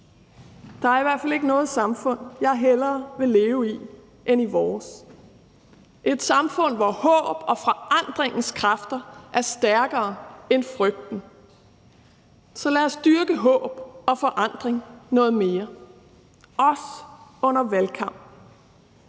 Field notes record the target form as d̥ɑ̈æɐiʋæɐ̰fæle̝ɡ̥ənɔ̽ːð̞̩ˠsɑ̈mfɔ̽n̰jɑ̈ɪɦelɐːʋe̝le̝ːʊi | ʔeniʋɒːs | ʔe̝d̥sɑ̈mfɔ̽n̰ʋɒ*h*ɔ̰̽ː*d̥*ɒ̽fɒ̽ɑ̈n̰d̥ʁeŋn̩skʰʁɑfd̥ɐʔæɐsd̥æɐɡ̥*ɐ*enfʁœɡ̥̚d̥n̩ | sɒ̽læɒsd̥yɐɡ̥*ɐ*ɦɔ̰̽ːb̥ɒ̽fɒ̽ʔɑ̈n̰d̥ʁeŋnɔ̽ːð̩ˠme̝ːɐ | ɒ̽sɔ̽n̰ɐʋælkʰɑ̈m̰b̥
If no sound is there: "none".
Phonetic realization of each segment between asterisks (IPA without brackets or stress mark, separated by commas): h, b̥, ɐː, ə